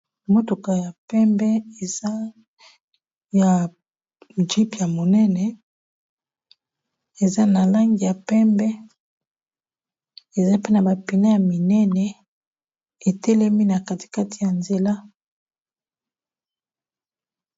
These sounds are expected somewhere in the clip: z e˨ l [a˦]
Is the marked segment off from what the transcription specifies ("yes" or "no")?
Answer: no